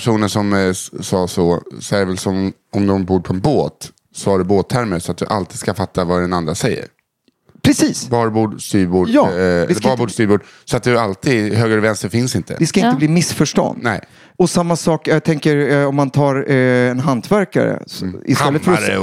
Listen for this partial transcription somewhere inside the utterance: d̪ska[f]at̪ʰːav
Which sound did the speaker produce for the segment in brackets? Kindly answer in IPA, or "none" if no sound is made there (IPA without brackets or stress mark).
f